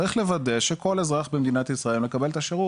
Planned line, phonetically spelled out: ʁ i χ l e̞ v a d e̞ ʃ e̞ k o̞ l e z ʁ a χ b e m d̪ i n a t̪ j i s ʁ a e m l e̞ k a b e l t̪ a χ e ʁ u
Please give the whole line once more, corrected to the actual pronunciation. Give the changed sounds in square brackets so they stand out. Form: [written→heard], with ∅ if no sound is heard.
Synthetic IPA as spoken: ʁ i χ l e̞ v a d e̞ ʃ e̞ k o̞ l e z ʁ a χ b e m d̪ i n a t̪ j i s ʁ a e m l e̞ k a b e l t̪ a [χ→ʃ] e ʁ u